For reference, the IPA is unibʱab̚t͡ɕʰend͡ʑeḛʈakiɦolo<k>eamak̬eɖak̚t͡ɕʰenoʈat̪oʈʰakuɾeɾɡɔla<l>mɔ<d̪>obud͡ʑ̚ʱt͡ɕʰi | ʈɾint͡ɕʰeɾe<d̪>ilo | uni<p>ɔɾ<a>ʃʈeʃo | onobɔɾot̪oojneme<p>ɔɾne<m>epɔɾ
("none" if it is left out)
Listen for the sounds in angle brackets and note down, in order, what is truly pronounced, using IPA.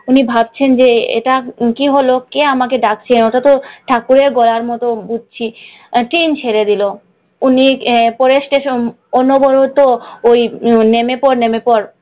k, ɾ, t̪, d̪, p, e, p, m

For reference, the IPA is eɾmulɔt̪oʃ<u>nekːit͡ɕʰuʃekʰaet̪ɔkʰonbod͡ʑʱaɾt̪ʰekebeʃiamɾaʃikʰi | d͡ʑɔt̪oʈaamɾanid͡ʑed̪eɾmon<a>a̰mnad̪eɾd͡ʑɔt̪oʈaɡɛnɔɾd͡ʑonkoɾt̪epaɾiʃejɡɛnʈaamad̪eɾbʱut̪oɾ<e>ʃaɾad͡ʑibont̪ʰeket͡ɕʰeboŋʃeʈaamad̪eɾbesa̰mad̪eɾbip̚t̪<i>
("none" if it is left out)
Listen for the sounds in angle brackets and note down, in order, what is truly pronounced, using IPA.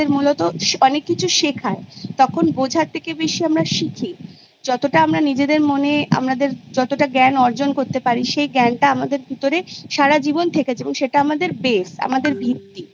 ɔ, e, e, i

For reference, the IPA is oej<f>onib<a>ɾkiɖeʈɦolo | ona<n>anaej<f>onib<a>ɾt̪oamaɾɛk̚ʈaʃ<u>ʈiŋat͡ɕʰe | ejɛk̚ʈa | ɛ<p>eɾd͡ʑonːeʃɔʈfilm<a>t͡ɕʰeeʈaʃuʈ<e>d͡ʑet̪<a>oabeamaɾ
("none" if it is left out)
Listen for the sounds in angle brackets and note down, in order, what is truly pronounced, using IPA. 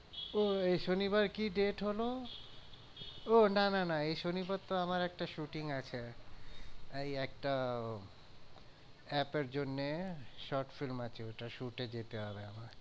ʃ, a, n, ʃ, a, u, p, a, e, e

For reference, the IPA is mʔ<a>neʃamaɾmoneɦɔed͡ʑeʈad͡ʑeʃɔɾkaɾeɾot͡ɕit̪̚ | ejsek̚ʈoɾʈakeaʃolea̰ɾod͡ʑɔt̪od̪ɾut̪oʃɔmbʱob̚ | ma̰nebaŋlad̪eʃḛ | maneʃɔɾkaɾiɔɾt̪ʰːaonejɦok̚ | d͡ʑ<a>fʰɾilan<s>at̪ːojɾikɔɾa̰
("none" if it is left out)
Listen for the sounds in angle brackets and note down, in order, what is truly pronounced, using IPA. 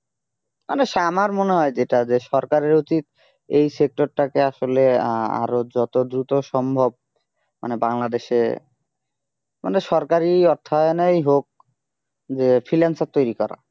a, e, s

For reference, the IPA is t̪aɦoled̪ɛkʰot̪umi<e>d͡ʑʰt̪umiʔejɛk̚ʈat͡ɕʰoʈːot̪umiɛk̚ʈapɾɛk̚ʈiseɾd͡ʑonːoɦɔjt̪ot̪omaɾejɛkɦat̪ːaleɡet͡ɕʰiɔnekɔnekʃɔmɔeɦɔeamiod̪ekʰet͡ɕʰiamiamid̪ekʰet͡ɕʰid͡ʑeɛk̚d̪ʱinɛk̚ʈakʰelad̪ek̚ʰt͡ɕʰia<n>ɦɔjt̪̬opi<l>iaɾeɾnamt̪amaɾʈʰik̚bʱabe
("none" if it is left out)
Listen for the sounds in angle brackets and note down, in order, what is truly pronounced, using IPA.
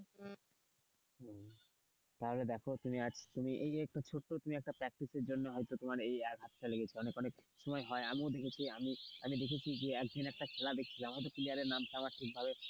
a, m, l

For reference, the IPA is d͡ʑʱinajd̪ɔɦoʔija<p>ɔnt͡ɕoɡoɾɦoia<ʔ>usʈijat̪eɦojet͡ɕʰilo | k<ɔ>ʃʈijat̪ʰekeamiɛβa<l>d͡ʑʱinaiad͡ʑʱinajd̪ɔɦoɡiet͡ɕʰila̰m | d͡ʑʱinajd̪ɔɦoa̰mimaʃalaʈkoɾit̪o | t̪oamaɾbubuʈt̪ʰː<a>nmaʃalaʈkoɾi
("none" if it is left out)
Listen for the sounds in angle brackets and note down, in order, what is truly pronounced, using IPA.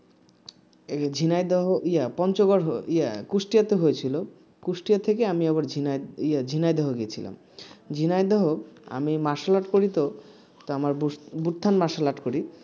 p, k, u, ɾ, a

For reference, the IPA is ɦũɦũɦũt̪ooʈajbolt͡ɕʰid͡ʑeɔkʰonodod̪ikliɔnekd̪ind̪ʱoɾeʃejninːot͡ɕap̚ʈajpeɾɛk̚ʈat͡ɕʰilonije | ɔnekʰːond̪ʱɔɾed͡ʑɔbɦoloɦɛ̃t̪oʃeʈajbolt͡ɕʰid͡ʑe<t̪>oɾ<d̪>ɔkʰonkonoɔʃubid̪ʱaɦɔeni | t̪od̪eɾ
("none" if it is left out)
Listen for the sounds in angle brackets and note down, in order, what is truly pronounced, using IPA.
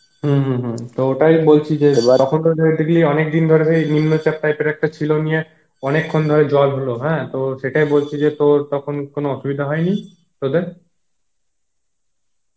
t̪, t̪

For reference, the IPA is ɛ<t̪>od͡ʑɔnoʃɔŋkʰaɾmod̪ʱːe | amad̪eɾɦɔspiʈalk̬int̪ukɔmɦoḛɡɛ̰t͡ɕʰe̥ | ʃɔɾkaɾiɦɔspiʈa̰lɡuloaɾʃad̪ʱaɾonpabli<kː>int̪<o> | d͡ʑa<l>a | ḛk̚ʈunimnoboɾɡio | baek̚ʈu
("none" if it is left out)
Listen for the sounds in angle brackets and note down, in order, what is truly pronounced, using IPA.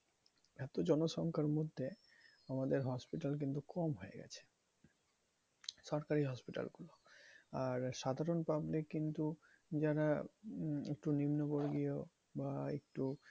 t̪, kː, u, ɾ

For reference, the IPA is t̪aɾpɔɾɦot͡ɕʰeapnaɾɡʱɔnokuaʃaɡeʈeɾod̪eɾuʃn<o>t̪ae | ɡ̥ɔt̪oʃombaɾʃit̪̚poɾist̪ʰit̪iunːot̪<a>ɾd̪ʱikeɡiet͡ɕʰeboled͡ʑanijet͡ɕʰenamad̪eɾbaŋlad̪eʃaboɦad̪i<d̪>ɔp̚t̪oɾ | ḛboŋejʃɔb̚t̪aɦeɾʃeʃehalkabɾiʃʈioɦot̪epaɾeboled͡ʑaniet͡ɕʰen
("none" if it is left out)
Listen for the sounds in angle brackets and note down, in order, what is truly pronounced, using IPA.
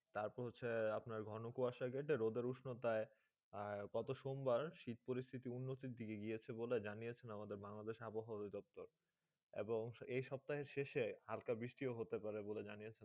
o, i, d̪

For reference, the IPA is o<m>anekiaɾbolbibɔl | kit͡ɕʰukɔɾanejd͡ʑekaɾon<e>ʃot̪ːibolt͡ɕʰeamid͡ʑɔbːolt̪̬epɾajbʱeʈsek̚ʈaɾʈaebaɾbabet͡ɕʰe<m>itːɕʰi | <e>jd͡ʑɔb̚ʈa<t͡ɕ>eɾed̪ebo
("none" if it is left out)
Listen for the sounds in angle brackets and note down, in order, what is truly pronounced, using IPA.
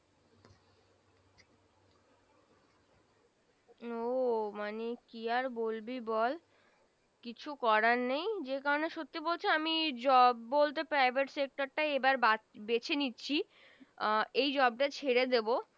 m, e, n, e, t͡ɕʰ

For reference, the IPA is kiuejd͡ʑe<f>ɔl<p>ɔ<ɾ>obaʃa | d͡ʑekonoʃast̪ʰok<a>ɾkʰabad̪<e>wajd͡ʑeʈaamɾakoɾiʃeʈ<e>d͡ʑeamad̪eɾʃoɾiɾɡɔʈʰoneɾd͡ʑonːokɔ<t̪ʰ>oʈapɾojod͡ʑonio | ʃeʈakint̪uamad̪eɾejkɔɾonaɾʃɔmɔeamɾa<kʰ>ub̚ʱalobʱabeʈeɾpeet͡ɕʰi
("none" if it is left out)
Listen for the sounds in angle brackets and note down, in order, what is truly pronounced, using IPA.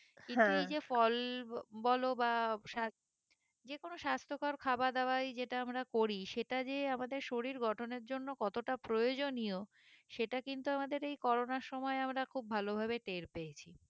f, b, l, a, a, a, t̪, kʰ

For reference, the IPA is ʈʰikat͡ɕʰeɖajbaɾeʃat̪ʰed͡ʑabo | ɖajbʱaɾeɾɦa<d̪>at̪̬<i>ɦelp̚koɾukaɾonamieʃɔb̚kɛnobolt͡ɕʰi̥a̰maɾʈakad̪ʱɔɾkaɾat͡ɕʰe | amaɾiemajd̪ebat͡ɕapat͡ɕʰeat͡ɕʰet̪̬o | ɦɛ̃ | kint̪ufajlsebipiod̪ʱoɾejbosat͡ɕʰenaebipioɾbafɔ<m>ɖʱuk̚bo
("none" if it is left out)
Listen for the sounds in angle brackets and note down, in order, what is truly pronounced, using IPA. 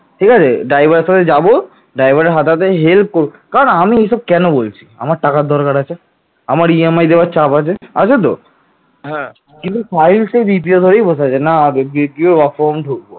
t̪, e, m

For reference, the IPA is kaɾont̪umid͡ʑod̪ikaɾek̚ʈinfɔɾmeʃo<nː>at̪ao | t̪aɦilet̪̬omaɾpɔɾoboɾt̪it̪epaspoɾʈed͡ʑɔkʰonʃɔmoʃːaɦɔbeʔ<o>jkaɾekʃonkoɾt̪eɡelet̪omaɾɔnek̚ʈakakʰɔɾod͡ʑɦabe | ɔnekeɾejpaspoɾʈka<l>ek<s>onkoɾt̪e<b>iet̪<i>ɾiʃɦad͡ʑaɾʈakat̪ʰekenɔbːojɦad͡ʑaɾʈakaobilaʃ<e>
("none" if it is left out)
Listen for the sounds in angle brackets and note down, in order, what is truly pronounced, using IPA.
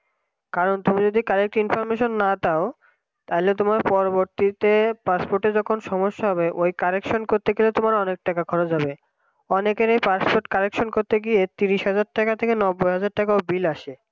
nː, o, ɾ, ʃ, ɡ, i, e

